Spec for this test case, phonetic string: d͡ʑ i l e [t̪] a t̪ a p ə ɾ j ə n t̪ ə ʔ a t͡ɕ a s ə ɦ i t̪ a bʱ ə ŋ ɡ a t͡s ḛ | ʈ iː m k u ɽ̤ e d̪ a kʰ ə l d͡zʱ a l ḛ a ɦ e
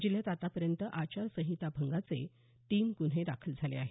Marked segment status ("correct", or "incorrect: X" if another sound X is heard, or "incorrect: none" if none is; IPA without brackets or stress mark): correct